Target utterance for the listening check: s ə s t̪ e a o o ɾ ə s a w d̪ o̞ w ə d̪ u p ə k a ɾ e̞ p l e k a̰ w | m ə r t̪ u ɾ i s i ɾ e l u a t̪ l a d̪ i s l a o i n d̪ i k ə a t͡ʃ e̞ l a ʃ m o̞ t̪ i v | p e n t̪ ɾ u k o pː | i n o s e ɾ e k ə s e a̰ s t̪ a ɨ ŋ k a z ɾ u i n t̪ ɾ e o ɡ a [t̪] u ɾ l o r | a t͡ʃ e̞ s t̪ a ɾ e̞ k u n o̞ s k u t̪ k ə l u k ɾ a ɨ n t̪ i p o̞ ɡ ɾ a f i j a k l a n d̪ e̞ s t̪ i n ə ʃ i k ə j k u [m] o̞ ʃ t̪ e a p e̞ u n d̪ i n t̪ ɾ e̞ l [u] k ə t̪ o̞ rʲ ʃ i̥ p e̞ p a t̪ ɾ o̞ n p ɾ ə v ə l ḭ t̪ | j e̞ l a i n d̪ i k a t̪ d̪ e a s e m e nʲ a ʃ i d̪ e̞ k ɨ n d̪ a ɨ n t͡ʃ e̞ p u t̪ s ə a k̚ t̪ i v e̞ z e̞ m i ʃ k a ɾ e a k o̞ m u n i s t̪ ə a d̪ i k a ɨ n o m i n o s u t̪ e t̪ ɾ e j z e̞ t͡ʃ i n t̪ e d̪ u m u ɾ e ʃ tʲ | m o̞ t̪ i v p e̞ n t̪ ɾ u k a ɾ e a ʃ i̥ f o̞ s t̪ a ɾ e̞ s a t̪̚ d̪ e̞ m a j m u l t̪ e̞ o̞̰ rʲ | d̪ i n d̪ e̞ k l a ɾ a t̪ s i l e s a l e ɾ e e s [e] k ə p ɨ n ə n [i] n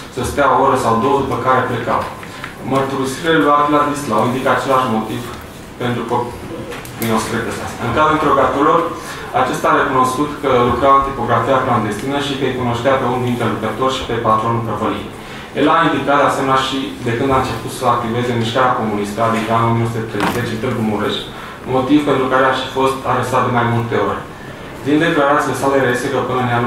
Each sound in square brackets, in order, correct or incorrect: correct, incorrect, correct, correct, incorrect

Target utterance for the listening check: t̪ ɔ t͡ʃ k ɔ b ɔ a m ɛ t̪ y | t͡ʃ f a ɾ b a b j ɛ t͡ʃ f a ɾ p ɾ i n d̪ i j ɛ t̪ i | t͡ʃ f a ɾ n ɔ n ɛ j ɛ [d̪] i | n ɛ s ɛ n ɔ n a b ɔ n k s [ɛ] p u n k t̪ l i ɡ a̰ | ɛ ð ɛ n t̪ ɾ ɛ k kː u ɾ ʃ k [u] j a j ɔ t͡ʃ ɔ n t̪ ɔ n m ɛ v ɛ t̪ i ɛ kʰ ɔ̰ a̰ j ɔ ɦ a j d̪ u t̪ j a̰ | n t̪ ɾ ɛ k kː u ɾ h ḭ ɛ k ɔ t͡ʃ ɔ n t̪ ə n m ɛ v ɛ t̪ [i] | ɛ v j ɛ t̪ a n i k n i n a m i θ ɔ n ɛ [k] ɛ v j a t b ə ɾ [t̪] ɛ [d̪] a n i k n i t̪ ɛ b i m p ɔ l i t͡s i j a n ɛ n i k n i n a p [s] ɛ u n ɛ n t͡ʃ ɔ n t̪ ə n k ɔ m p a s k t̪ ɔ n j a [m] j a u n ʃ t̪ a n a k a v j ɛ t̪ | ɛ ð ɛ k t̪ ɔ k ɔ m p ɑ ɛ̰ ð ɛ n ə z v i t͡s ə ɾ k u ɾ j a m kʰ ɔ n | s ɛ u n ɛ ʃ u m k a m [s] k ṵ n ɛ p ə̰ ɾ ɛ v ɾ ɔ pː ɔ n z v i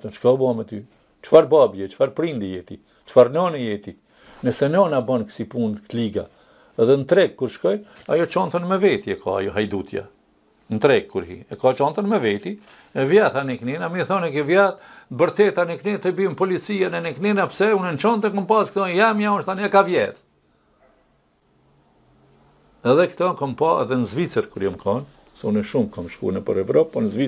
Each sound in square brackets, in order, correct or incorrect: incorrect, incorrect, incorrect, correct, correct, correct, incorrect, correct, correct, incorrect

